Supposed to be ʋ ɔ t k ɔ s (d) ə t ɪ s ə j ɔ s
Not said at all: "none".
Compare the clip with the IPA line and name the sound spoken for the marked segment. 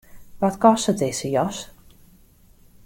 t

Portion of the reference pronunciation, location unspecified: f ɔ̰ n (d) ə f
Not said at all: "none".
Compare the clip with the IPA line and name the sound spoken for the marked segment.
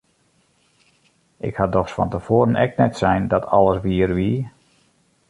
t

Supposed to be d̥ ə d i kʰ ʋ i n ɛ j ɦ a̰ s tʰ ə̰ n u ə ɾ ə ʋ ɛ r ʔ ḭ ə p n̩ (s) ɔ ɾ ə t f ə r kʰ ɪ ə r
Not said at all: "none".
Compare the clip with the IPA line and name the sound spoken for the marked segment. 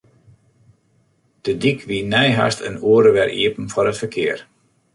f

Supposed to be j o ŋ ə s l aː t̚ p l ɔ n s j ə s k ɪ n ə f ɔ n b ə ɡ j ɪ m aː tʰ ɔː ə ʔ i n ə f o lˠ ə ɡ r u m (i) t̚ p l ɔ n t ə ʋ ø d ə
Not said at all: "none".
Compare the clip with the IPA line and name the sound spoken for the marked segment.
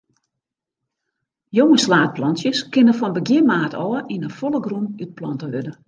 y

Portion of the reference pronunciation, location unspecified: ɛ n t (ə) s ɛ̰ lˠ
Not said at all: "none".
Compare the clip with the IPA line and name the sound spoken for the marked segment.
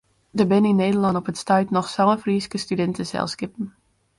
ə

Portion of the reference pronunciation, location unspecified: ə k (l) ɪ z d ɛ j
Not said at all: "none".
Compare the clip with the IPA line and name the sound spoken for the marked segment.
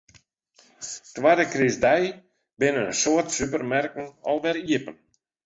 r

